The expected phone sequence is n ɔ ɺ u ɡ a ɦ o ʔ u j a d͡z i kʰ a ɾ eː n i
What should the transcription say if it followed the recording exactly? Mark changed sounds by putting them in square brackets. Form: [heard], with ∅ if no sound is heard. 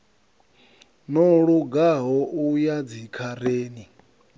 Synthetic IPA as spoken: n ɔ ɺ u ɡ a ɦ [ɔ] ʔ u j a d͡z i kʰ a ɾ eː n i

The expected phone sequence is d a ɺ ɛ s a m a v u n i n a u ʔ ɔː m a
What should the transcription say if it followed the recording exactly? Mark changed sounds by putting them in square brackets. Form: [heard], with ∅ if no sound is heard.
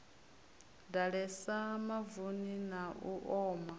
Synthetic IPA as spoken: d a ɺ ɛ s a m a v u n i n a u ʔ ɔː m a

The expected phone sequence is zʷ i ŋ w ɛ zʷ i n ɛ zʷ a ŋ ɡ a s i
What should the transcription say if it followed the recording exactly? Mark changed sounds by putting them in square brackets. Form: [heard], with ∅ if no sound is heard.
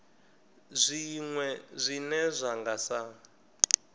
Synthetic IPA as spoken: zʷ i ŋ w ɛ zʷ i n ɛ zʷ a ŋ ɡ a s [a]

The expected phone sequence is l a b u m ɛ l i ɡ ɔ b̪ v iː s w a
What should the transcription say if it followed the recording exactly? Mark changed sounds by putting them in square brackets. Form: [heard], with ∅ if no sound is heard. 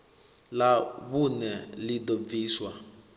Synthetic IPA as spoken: l a [β] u [n] ɛ l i [d] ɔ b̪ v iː s w a

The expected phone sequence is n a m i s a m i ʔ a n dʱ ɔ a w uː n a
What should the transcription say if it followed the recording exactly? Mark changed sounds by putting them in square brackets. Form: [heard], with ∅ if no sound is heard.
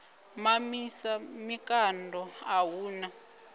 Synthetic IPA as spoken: [m] a m i s a m i [k] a n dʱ ɔ a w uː n a

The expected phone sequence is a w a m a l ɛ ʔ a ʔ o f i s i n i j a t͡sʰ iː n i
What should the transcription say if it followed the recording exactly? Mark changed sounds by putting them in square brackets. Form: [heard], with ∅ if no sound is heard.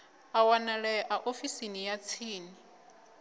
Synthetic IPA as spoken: a w a [n] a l ɛ ʔ a ʔ o f i s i n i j a t͡sʰ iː n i

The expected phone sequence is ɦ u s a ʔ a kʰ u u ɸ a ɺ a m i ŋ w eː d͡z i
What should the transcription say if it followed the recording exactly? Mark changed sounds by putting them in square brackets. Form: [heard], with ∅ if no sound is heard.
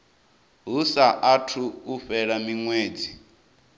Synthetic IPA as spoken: ɦ u s a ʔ a [tʰ] u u ɸ [ɛ] ɺ a m i ŋ w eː d͡z i

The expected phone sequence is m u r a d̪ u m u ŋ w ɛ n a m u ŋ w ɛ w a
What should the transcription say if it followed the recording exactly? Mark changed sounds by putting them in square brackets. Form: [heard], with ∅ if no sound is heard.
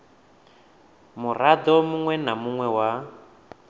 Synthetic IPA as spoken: m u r a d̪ [ɔ] m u ŋ w ɛ n a m u ŋ w ɛ w a

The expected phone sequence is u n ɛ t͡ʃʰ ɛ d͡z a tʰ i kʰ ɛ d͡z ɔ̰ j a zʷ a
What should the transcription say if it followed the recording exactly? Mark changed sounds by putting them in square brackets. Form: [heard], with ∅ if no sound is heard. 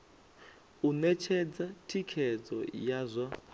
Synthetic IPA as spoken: u n ɛ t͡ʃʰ ɛ d͡z a tʰ i kʰ ɛ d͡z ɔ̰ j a zʷ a

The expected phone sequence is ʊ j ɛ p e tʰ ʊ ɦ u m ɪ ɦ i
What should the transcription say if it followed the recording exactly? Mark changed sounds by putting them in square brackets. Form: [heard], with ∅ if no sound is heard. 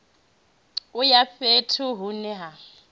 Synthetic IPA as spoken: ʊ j [a] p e tʰ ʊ ɦ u [n] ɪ ɦ [a]

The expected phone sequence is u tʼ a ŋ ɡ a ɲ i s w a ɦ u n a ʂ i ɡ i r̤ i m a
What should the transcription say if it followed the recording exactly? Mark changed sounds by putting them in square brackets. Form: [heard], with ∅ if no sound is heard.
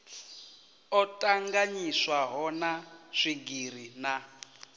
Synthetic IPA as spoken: [ɔ] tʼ a ŋ ɡ a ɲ i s w a ɦ [ɔ] n a ʂ i ɡ i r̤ i [n] a

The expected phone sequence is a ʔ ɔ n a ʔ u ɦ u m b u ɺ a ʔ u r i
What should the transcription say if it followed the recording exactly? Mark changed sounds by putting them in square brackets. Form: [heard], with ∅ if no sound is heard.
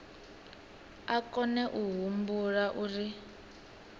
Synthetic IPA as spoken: a [k] ɔ n [ɛ] ʔ u ɦ u m b u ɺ a ʔ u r i

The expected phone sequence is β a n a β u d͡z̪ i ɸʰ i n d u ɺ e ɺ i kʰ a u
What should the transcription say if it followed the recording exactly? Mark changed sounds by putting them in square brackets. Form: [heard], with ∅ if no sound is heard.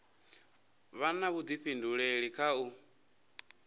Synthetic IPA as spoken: β a n a β u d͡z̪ i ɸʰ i n d u ɺ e ɺ i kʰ a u

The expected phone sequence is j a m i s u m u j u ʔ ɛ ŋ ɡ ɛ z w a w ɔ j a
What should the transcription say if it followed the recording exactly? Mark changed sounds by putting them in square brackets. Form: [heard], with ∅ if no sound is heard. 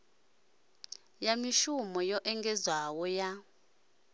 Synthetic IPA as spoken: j a m i [ʃ] u m [ɔ] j [ɔ] ʔ ɛ ŋ ɡ ɛ z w a w ɔ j a

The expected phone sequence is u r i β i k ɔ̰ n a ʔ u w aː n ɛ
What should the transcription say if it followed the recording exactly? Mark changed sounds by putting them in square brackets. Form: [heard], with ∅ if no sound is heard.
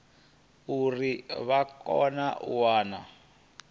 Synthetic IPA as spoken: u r i β [a] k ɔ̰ n a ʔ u w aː n [a]

